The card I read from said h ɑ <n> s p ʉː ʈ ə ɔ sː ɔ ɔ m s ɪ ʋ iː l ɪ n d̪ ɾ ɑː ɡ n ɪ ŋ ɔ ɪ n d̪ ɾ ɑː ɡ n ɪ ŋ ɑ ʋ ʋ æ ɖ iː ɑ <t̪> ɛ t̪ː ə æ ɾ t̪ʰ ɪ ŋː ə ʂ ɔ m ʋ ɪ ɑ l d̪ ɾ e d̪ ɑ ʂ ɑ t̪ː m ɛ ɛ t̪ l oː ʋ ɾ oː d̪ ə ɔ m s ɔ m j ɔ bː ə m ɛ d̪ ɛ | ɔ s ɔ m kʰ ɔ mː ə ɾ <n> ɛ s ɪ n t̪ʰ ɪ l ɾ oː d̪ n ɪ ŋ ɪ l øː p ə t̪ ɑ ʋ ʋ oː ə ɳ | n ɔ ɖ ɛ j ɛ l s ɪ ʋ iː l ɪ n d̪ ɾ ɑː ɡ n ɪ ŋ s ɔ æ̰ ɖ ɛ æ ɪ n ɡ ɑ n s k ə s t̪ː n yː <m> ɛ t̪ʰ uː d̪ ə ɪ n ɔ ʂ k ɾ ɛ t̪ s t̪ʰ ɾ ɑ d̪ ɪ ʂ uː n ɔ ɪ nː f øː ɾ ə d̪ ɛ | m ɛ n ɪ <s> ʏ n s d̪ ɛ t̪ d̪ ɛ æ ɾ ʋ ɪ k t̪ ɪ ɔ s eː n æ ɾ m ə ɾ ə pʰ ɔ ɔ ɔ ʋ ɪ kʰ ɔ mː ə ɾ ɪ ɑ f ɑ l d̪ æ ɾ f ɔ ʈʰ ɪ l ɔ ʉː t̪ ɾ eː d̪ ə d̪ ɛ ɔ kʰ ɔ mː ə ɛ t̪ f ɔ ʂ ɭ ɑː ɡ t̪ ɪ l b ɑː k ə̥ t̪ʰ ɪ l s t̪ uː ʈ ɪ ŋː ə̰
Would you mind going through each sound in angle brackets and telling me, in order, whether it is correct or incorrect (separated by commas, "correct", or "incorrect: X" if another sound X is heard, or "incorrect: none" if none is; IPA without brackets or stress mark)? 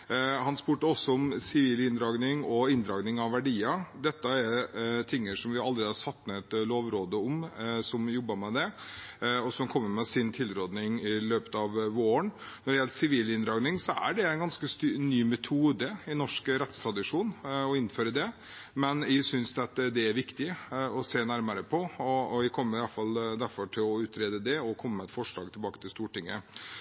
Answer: correct, incorrect: d̪, incorrect: m, correct, correct